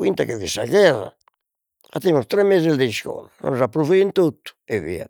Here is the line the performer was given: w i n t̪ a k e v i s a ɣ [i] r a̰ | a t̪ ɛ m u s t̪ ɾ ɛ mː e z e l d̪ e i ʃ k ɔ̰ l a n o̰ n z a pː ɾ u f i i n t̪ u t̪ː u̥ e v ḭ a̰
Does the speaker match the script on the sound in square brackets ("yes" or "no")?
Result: no